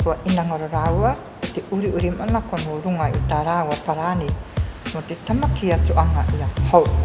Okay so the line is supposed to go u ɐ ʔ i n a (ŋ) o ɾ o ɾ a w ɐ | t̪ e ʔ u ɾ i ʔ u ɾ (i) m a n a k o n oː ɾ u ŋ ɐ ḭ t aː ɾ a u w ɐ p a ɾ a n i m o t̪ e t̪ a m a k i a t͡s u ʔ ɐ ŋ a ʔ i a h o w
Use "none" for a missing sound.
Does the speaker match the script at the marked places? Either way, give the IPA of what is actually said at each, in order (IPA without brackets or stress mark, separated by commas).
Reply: ŋ, i